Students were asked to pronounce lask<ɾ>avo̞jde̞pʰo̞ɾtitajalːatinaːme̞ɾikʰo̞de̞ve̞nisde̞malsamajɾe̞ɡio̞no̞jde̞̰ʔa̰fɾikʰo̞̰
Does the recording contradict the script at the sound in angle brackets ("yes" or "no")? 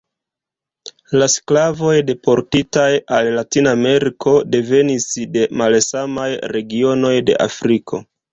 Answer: yes